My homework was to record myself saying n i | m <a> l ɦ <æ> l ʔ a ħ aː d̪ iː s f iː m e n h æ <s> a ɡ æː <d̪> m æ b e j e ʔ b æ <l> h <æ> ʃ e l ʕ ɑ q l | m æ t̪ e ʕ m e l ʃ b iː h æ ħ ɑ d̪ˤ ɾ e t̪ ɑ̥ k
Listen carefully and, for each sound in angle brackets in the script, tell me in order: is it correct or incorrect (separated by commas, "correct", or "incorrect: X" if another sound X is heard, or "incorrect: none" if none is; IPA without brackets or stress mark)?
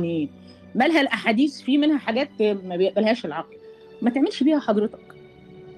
incorrect: æ, correct, incorrect: ħ, incorrect: t̪, correct, incorrect: æː